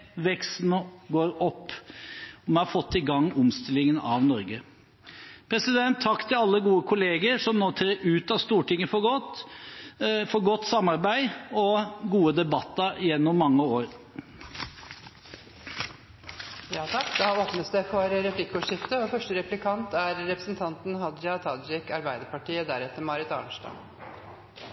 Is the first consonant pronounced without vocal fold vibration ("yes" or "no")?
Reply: no